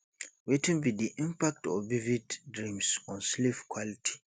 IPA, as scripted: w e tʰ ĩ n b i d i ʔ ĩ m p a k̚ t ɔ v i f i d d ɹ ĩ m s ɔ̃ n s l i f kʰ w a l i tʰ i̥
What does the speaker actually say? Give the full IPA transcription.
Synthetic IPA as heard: w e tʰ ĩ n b i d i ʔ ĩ m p a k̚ t ɔ v i v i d d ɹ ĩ m s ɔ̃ n s l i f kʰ w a l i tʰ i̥